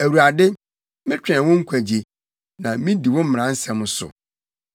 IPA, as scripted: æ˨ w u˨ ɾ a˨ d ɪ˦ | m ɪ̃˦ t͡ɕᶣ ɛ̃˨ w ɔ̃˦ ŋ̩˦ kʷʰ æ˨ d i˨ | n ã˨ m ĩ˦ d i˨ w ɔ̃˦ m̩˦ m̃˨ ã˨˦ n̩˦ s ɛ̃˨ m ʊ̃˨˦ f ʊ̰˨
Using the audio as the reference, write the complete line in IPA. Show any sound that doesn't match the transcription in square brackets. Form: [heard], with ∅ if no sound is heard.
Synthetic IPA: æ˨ w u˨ ɾ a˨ d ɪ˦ | m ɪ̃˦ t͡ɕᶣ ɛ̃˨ w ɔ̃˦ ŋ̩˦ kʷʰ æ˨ [d͡ʑ] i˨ | n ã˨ m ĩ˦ d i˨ w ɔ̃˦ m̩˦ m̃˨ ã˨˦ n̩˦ s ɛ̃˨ m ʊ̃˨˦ [s] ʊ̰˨